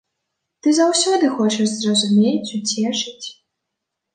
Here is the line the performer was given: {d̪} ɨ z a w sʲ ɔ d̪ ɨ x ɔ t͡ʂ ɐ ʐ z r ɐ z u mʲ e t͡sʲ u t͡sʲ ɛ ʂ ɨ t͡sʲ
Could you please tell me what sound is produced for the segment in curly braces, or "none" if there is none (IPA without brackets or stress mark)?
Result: t̪